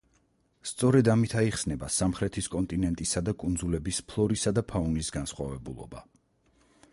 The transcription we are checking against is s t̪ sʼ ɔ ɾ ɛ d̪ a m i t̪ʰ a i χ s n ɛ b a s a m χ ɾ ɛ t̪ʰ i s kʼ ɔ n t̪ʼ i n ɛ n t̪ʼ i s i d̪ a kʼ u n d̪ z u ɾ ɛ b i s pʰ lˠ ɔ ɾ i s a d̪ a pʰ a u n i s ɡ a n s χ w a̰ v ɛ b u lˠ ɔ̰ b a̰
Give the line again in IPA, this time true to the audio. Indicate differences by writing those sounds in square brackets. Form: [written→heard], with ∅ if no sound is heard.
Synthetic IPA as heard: s t̪ sʼ ɔ ɾ ɛ d̪ a m i t̪ʰ a i χ s n ɛ b a s a m χ ɾ ɛ t̪ʰ i s kʼ ɔ n t̪ʼ i n ɛ n t̪ʼ i s [i→a] d̪ a kʼ u n d̪ z u [ɾ→l] ɛ b i s pʰ lˠ ɔ ɾ i s a d̪ a pʰ a u n i s ɡ a n s χ w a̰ v ɛ b u lˠ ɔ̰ b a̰

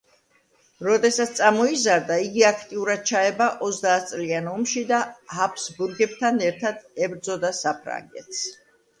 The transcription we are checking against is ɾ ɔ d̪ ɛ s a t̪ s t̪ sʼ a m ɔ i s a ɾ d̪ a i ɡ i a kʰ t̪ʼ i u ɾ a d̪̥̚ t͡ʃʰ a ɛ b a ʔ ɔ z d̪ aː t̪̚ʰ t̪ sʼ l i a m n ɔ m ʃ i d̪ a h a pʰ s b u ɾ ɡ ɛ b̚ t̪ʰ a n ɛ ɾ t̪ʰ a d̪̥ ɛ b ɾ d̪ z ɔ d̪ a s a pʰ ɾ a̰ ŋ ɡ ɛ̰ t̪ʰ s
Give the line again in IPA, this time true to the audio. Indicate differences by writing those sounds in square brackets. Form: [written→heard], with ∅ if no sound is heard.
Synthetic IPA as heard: ɾ ɔ d̪ ɛ s a t̪ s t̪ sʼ a m ɔ i [s→z] a ɾ d̪ a i ɡ i a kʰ t̪ʼ i u ɾ a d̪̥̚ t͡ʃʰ a ɛ b a ʔ ɔ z d̪ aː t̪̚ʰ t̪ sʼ l i a [m→∅] n ɔ m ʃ i d̪ a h a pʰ s b u ɾ ɡ ɛ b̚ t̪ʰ a n ɛ ɾ t̪ʰ a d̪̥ ɛ b ɾ d̪ z ɔ d̪ a s a pʰ ɾ a̰ ŋ ɡ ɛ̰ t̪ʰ s

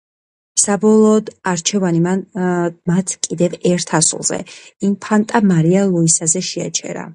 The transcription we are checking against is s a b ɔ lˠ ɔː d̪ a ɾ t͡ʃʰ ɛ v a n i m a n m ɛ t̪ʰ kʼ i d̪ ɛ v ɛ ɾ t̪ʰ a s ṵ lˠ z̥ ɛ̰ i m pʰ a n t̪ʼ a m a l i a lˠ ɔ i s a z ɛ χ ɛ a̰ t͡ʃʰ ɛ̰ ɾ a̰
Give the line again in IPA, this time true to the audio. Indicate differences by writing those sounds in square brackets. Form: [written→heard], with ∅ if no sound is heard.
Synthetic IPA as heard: s a b ɔ lˠ ɔː d̪ a ɾ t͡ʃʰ ɛ v a n i m a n m [ɛ→a] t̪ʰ kʼ i d̪ ɛ v ɛ ɾ t̪ʰ a s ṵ lˠ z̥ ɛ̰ i m pʰ a n t̪ʼ a m a [l→ɾ] i a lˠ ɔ i s a z ɛ [χ→ʃ] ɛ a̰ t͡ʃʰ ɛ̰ ɾ a̰

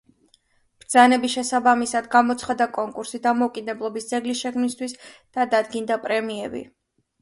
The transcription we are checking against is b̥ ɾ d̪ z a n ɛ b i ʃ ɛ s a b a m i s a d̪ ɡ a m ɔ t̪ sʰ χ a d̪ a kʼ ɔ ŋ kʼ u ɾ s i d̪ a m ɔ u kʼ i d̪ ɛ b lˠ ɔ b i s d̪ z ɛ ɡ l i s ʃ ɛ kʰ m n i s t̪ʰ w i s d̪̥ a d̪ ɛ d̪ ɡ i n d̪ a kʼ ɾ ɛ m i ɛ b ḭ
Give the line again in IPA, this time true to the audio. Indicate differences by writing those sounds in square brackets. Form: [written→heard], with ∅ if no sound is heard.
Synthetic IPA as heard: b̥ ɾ d̪ z a n ɛ b i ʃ ɛ s a b a m i s a d̪ ɡ a m ɔ t̪ sʰ χ a d̪ a kʼ ɔ ŋ kʼ u ɾ s i d̪ a m ɔ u kʼ i d̪ ɛ b lˠ ɔ b i s d̪ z ɛ ɡ l i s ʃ ɛ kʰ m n i s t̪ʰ w i s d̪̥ a d̪ [ɛ→a] d̪ ɡ i n d̪ a [kʼ→pʼ] ɾ ɛ m i ɛ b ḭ

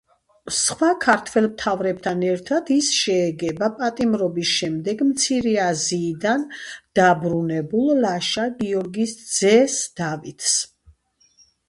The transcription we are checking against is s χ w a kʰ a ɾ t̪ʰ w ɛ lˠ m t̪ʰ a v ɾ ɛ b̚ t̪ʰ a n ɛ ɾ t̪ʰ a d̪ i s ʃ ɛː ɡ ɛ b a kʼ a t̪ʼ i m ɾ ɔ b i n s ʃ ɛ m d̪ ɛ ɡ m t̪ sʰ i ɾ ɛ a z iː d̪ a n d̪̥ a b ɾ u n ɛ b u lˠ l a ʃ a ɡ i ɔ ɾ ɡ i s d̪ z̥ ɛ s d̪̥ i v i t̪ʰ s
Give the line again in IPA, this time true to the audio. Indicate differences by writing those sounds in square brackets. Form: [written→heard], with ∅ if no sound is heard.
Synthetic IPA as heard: s χ w a kʰ a ɾ t̪ʰ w ɛ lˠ m t̪ʰ a v ɾ ɛ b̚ t̪ʰ a n ɛ ɾ t̪ʰ a d̪ i s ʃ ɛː ɡ ɛ b a [kʼ→pʼ] a t̪ʼ i m ɾ ɔ b i [n→∅] s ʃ ɛ m d̪ ɛ ɡ m t̪ sʰ i ɾ ɛ a z iː d̪ a n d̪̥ a b ɾ u n ɛ b u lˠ l a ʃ a ɡ i ɔ ɾ ɡ i s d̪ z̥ ɛ s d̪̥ [i→a] v i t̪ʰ s

